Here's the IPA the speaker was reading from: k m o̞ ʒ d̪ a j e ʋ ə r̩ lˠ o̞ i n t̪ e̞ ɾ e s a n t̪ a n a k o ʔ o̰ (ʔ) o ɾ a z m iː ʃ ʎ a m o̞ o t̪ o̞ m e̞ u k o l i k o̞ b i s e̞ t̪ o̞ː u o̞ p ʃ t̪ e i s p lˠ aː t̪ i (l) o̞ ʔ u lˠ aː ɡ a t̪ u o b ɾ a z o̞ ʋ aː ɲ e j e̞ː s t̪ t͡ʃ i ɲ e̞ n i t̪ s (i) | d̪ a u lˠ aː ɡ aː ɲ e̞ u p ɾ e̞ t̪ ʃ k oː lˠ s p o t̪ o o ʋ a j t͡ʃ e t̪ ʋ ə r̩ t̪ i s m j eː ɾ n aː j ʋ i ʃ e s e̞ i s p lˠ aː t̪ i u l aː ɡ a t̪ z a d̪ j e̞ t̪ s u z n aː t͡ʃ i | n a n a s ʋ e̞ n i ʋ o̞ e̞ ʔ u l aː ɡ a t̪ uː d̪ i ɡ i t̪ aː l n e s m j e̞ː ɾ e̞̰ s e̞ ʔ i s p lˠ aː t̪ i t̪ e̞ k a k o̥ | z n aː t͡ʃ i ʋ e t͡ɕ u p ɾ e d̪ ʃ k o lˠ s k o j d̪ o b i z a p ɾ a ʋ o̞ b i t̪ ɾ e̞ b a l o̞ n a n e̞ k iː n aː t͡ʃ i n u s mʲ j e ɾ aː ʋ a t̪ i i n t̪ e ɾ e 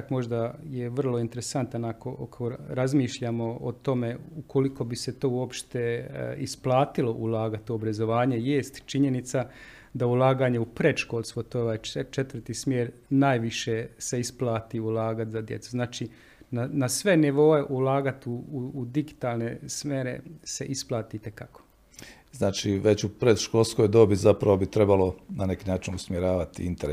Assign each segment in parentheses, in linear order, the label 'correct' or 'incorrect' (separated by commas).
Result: incorrect, correct, incorrect